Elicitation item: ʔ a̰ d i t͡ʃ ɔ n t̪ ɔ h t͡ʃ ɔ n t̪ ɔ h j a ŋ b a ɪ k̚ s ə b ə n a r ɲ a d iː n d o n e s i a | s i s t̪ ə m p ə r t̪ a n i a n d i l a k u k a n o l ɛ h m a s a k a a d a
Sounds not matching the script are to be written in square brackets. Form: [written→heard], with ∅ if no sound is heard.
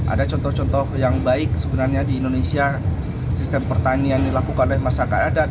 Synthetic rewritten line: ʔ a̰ d [i→a] t͡ʃ ɔ n t̪ ɔ h t͡ʃ ɔ n t̪ ɔ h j a ŋ b a ɪ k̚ s ə b ə n a r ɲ a d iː n d o n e s i a | s i s t̪ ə m p ə r t̪ a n i a n d i l a k u k a n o l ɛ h m a s a k a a d a